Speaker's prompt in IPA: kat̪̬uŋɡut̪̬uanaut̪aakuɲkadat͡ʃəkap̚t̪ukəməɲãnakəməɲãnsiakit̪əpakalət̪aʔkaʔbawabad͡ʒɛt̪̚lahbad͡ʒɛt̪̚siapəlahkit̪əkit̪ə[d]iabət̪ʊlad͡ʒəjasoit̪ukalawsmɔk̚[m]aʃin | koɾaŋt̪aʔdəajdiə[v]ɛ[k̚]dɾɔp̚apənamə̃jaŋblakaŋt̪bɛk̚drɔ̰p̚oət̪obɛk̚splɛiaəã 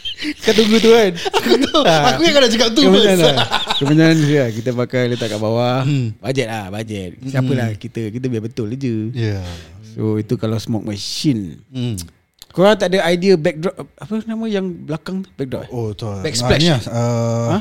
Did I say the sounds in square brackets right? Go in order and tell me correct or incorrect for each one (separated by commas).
incorrect, correct, incorrect, correct